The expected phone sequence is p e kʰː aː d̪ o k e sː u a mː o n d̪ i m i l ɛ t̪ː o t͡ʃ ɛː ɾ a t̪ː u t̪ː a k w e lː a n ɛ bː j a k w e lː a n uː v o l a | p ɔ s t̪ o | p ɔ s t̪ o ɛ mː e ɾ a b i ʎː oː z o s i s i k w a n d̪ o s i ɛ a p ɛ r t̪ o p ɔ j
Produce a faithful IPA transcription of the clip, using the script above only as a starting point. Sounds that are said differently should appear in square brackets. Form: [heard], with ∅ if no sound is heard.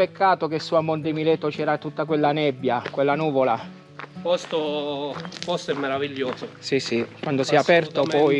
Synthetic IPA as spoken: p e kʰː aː [t̪] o k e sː u a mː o n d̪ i m i l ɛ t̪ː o t͡ʃ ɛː ɾ a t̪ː u t̪ː a k w e lː a n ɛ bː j a k w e lː a n uː v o l a | p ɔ s t̪ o | p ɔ s t̪ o ɛ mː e ɾ a [v] i ʎː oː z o s i s i k w a n d̪ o s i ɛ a p ɛ r t̪ o p ɔ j

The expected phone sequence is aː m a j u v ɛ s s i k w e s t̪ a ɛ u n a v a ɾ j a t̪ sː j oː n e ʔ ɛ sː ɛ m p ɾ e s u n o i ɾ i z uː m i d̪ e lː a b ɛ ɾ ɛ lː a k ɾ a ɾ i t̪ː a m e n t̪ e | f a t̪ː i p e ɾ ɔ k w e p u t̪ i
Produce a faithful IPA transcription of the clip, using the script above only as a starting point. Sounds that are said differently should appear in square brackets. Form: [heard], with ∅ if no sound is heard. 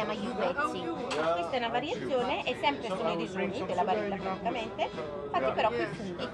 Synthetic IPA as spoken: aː m a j u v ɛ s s i k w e s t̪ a ɛ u n a v a ɾ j a t̪ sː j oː n e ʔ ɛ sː ɛ m p ɾ e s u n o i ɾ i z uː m i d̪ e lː a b [a] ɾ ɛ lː a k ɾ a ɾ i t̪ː a m e n t̪ e | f a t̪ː i p e ɾ ɔ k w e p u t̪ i

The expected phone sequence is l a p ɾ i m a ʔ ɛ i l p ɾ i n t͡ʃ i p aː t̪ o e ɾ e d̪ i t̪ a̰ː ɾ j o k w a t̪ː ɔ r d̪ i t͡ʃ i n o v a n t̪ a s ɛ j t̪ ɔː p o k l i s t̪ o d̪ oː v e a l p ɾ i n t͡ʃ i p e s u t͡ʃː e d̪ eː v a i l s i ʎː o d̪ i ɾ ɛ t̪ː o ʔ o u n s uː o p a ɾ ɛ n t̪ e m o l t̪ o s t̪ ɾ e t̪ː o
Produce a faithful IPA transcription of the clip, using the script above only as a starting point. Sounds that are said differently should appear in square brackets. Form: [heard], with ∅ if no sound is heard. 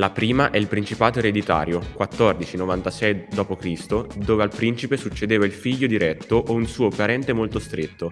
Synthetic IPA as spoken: l a p ɾ [iː] m a ʔ ɛ i l p ɾ i n t͡ʃ i p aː t̪ o e ɾ e d̪ i t̪ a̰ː ɾ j o k w a t̪ː ɔ r d̪ i t͡ʃ i n o v a n t̪ a s ɛ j [d̪] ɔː p o k [ɾ] i s t̪ o d̪ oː v e a l p ɾ i n t͡ʃ i p e s u t͡ʃː e d̪ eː v a i l [f] i ʎː o d̪ i ɾ ɛ t̪ː o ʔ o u n s uː o p a ɾ ɛ n t̪ e m o l t̪ o s t̪ ɾ e t̪ː o

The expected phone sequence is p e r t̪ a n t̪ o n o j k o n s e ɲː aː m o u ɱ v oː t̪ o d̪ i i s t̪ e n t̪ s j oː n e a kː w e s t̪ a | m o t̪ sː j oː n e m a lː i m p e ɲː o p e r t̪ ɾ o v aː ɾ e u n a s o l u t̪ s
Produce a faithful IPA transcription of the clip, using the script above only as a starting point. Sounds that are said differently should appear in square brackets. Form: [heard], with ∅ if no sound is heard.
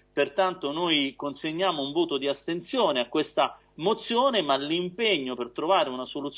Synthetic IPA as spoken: p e r t̪ a n t̪ o n o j k o n s e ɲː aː m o u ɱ v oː t̪ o d̪ i [a] s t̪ e n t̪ s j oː n e a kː w e s t̪ a | m o t̪ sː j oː n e m a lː i m p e ɲː o p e r t̪ ɾ o v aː ɾ e u n a s o l u t̪ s

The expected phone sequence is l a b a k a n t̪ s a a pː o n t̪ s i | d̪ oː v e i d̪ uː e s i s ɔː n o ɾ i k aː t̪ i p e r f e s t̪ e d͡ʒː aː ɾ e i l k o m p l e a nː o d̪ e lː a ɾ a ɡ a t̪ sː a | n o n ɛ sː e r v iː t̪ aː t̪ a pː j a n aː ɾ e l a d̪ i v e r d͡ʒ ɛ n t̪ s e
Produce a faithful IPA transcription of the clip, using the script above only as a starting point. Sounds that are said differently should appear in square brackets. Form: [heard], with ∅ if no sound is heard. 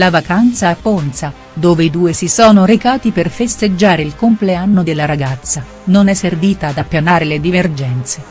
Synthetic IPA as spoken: l a [v] a k a n t̪ s a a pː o n t̪ s [a] | d̪ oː v e i d̪ uː e s i s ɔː n o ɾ [e] k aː t̪ i p e r f e s t̪ e d͡ʒː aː ɾ e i l k o m p l e a nː o d̪ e lː a ɾ a ɡ a t̪ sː a | n o n ɛ sː e r v iː t̪ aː [d̪] a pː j a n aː ɾ e l [e] d̪ i v e r d͡ʒ ɛ n t̪ s e

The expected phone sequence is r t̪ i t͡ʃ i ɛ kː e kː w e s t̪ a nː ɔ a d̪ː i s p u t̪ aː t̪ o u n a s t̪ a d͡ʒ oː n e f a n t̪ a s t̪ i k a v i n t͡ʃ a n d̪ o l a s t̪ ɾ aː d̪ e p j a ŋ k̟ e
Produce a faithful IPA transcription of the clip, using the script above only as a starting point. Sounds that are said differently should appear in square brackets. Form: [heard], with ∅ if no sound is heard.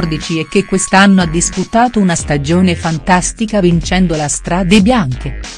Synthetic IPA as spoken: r [d̪] i t͡ʃ i ɛ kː e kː w e s t̪ a nː [o] a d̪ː i s p u t̪ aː t̪ o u n a s t̪ a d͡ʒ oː n e f a n t̪ a s t̪ i k a v i n t͡ʃ [ɛ] n d̪ o l a s t̪ ɾ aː d̪ e [b] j a ŋ k̟ e

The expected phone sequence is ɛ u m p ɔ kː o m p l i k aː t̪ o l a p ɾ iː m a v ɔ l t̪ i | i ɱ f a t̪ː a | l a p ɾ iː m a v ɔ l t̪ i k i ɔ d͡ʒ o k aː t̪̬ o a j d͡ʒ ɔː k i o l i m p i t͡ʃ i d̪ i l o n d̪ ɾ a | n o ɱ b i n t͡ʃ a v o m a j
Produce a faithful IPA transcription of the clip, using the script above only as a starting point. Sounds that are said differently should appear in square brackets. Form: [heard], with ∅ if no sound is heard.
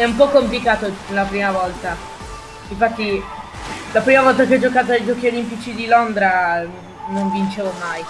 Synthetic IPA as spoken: ɛ u m p ɔ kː o m p l i k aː t̪ o l a p ɾ iː m a v ɔ l t̪ [a] | i ɱ f a t̪ː [i] | l a p ɾ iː m a v ɔ l t̪ [a] k [e] ɔ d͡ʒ o k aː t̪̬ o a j d͡ʒ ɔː k i o l i m p i t͡ʃ i d̪ i l o n d̪ ɾ a | n o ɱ [v] i n t͡ʃ [e] v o m a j

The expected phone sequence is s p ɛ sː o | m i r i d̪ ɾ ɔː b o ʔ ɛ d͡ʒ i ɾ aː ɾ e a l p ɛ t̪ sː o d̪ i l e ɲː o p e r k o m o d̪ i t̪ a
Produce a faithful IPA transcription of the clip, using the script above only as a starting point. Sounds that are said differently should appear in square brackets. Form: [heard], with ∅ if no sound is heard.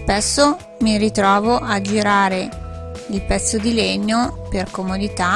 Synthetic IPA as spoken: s p ɛ sː o | m i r i [t̪] ɾ ɔː [v] o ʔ [a] d͡ʒ i ɾ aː ɾ e [i] l p ɛ t̪ sː o d̪ i l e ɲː o p e r k o m o d̪ i t̪ a

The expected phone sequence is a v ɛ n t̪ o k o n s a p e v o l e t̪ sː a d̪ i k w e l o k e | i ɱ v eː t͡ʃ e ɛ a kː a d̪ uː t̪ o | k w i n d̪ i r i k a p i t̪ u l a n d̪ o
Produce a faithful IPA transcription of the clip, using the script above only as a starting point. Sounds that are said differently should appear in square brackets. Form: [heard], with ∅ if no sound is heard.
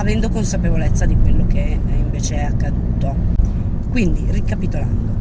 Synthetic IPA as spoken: a v ɛ n [d̪] o k o n s a p e v o l e t̪ sː a d̪ i k w e [lː] o k e | i ɱ v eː t͡ʃ e ɛ a kː a d̪ uː t̪ o | k w i n d̪ i r i k a p i t̪ [o] l a n d̪ o

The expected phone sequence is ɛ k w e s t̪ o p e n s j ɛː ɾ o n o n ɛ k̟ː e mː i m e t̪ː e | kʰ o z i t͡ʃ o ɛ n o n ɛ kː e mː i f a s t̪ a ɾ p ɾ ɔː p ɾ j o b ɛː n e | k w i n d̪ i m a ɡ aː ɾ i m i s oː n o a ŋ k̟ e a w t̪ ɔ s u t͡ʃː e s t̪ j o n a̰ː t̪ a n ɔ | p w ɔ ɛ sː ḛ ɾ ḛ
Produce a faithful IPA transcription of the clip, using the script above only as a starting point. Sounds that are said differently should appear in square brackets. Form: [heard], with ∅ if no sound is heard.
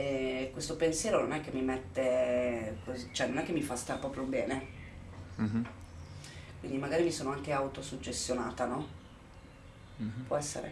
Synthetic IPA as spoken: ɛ k w e s t̪ o p e n s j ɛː ɾ o n o n ɛ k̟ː e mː i m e t̪ː e | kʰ o z i t͡ʃ o ɛ n o n ɛ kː e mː i f a s t̪ a ɾ p ɾ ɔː p ɾ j o b ɛː n e | k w i n d̪ i m a ɡ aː ɾ i m i s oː n o a ŋ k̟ e a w t̪ [o] s u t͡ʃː e s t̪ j o n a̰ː t̪ a n ɔ | p w ɔ ɛ sː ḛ ɾ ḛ

